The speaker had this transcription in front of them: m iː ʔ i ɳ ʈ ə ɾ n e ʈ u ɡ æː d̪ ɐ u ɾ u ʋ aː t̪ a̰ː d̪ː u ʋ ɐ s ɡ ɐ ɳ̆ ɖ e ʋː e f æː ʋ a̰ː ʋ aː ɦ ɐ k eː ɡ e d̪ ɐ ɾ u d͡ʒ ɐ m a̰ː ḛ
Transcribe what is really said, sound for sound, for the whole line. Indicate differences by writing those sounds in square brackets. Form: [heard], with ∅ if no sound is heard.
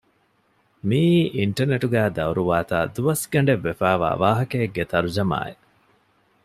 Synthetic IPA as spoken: m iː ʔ i ɳ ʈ [ɐ] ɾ n e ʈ u ɡ æː d̪ ɐ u ɾ u ʋ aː t̪ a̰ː [d̪] u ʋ ɐ s ɡ ɐ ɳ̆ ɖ e ʋː e f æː ʋ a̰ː ʋ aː ɦ ɐ k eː ɡ e [t̪] ɐ ɾ u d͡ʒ ɐ m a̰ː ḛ

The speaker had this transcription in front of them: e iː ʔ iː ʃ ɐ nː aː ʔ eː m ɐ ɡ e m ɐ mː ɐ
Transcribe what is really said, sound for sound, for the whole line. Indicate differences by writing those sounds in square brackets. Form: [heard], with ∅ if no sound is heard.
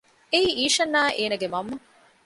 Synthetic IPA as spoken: e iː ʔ iː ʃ ɐ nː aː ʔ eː [n] ɐ ɡ e m ɐ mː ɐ

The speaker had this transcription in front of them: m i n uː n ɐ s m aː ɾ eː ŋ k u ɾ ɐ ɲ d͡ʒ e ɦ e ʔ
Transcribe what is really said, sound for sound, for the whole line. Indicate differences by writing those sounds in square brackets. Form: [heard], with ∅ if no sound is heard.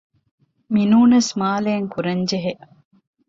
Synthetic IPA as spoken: m i n uː n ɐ s m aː [l] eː ŋ k u ɾ ɐ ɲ d͡ʒ e ɦ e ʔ

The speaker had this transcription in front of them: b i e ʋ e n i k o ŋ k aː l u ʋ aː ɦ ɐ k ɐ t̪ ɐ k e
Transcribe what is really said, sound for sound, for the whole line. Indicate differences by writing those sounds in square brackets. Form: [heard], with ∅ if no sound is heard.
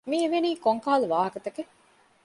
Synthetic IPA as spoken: [m] i e ʋ e n [iː] k o ŋ k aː l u ʋ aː ɦ ɐ k ɐ t̪ ɐ k e

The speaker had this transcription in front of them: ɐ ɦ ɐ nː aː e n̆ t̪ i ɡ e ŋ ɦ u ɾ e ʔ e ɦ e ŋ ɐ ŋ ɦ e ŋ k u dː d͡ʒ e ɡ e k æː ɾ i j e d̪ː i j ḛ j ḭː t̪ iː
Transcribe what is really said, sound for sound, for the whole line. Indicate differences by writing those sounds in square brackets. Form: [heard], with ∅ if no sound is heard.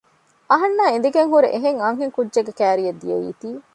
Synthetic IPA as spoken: ɐ ɦ ɐ nː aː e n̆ [d̪] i ɡ e ŋ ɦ u ɾ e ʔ e ɦ e ŋ ɐ ŋ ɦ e ŋ k u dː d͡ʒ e ɡ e k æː ɾ i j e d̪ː i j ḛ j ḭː t̪ iː

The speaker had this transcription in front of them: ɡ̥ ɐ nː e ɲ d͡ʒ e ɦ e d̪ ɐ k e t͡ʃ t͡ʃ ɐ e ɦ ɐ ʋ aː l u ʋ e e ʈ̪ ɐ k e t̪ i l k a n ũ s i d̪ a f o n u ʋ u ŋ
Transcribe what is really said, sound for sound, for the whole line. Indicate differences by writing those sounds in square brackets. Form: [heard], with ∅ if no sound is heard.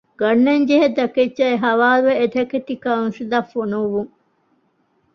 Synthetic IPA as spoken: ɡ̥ ɐ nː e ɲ d͡ʒ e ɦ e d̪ ɐ k e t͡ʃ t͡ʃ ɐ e ɦ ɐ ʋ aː l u ʋ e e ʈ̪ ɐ k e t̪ i [∅] k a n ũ s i d̪ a f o n u ʋ u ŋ

